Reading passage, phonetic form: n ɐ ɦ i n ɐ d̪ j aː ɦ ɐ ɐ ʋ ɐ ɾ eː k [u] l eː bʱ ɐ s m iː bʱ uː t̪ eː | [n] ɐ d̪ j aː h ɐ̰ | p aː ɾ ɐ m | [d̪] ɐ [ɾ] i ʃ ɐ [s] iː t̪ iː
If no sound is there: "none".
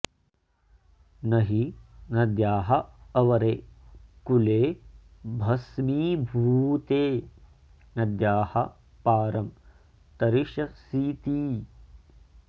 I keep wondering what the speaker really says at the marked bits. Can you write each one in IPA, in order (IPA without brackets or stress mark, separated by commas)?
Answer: u, n, t̪, ɾ, s